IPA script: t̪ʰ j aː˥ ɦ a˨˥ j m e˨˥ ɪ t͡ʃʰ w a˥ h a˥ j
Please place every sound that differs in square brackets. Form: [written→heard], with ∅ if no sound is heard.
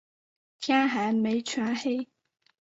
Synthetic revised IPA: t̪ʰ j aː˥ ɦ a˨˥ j m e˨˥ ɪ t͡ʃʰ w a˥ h [a˥→e˥] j